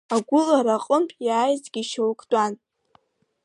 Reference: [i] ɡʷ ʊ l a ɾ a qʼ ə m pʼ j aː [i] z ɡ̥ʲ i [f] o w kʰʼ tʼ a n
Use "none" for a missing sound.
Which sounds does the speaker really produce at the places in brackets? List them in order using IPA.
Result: a, j, ʃ

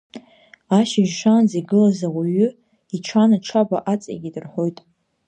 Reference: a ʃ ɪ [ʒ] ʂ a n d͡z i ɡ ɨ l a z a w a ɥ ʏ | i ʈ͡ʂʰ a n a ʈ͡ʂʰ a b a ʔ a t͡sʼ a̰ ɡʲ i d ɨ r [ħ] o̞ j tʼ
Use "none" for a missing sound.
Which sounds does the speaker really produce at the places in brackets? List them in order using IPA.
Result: ʒ, ħ

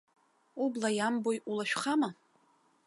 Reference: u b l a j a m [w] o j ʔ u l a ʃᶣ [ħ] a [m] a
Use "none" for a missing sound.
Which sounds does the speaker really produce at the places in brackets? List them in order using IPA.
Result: b, χ, m

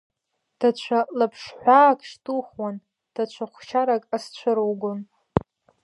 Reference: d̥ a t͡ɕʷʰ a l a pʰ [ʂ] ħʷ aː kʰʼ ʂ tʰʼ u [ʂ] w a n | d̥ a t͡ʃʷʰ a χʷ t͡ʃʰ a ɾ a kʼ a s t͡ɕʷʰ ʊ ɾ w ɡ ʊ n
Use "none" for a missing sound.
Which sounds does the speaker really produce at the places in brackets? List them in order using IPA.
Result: ʂ, χ

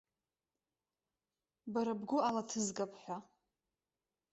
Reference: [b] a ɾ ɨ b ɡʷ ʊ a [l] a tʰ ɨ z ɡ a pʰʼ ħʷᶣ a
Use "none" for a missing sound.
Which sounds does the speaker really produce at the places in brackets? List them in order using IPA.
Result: b, l

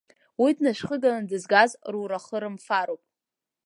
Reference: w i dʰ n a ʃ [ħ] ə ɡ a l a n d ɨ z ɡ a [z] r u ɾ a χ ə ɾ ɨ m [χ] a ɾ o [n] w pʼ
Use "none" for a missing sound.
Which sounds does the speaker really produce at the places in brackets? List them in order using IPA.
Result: χ, z, f, none

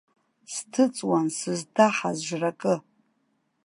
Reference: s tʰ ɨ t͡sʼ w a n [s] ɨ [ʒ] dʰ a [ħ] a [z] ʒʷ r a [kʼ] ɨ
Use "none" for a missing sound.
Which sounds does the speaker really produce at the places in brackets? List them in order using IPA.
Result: s, z, ħ, z, kʼ

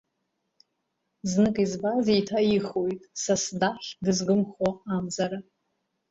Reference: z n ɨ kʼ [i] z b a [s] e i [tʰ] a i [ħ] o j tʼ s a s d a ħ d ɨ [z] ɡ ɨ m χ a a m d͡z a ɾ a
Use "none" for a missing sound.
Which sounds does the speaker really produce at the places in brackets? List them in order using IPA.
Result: i, z, tʰ, χ, z

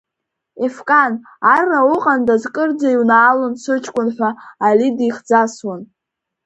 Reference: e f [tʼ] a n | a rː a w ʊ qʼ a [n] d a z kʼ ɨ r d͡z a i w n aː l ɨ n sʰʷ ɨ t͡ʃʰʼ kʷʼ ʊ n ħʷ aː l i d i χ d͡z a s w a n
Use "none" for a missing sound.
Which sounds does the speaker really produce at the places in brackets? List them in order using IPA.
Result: kʼ, n

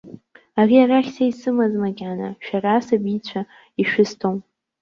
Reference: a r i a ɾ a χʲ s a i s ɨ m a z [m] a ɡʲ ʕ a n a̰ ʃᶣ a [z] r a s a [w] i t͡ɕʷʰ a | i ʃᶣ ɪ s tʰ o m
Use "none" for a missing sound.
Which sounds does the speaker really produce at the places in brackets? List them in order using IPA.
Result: m, none, b

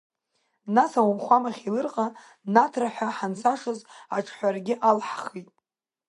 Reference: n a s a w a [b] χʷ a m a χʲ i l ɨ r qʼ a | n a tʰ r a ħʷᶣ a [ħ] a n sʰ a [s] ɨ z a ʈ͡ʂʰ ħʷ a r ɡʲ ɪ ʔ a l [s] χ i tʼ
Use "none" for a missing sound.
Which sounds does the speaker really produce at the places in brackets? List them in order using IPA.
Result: m, ħ, ʂ, ħ

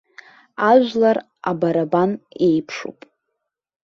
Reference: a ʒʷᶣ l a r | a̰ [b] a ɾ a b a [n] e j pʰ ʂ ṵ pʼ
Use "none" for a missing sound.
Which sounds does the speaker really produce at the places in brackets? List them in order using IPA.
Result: b, n

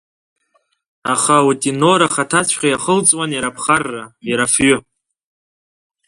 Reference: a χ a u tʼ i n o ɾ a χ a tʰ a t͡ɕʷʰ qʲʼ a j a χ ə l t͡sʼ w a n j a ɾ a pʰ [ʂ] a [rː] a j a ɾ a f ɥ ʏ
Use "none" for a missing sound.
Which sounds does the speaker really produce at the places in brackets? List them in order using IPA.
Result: χ, rː

